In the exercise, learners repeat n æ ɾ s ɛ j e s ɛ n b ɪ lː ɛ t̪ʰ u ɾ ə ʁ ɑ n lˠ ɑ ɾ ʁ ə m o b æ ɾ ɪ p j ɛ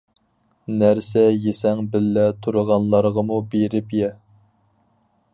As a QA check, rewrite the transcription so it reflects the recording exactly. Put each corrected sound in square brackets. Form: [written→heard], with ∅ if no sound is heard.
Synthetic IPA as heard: n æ ɾ s ɛ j e s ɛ [n→ŋ] b ɪ lː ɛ t̪ʰ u ɾ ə ʁ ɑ n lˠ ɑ ɾ ʁ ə m [o→u] b [æ→e] ɾ ɪ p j ɛ